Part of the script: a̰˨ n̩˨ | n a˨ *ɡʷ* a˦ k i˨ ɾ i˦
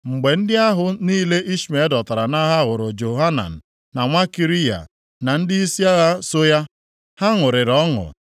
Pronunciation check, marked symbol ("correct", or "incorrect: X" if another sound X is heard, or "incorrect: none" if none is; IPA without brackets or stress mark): incorrect: ŋʷ